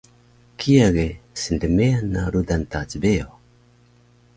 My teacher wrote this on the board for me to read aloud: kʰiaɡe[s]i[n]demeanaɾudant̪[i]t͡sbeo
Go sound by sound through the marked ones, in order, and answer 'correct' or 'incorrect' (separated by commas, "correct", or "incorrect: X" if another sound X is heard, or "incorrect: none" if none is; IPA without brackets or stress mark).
correct, correct, incorrect: a